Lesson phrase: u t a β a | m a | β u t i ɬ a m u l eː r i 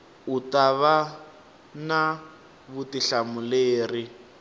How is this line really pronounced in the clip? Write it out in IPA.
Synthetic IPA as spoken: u t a β a | n a | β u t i ɬ a m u l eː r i